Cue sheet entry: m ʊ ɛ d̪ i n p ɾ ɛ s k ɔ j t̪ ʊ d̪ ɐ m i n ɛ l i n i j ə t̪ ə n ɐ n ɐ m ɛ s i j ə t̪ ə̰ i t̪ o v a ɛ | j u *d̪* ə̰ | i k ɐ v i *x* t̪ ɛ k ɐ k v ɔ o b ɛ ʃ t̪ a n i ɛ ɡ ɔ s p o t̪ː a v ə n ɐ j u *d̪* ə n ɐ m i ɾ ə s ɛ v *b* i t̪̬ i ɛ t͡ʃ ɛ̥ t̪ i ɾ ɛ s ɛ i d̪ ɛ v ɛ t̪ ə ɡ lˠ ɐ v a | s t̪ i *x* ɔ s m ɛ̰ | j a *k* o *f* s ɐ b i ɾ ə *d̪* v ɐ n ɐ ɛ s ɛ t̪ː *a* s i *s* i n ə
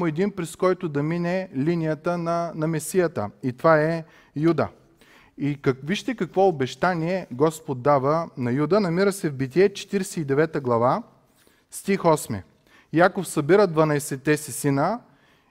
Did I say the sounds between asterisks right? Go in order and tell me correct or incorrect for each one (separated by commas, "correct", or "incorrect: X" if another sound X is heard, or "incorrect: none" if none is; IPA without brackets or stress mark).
correct, incorrect: ʃ, correct, correct, correct, correct, correct, correct, incorrect: ɛ, correct